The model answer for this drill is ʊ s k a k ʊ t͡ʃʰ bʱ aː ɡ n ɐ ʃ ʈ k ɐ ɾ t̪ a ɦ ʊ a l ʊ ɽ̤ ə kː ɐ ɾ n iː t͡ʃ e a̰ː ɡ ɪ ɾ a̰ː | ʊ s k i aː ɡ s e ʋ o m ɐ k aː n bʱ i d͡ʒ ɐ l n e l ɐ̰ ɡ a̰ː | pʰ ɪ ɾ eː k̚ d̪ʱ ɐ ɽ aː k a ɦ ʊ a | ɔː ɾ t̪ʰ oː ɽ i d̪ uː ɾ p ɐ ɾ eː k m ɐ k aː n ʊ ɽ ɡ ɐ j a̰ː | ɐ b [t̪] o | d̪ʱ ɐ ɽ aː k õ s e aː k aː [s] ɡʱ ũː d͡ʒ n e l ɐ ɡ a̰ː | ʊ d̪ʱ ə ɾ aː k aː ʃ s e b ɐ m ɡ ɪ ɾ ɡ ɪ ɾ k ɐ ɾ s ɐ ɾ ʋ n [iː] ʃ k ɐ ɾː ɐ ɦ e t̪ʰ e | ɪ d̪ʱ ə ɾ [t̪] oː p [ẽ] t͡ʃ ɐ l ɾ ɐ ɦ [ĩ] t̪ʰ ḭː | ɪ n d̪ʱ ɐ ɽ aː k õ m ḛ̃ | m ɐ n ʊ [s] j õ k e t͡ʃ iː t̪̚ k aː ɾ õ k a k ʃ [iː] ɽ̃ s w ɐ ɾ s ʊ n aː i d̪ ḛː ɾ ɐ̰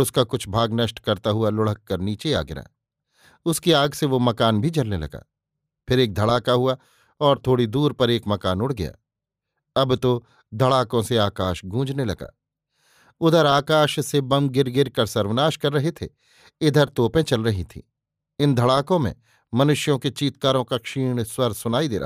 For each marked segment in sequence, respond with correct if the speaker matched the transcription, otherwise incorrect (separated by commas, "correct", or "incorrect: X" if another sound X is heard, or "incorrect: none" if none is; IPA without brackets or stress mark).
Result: correct, incorrect: ʃ, incorrect: aː, correct, correct, incorrect: i, incorrect: ʃ, correct